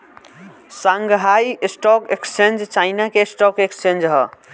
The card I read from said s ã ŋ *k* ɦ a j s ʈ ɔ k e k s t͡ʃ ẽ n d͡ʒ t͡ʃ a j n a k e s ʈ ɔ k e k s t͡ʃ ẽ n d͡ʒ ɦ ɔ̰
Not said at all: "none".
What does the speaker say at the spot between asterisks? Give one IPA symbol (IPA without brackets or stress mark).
ɡ